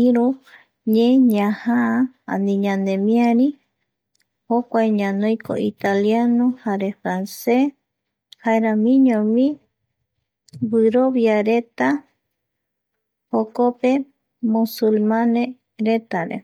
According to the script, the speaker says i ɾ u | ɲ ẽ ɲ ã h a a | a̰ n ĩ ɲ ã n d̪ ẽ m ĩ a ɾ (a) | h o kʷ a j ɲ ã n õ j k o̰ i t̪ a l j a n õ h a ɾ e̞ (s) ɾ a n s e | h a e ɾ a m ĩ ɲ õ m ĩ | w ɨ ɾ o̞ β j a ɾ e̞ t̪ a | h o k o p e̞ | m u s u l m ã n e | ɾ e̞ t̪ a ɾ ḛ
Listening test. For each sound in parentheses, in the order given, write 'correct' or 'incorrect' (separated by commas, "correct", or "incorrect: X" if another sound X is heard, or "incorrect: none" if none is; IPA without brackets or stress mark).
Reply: incorrect: i, incorrect: f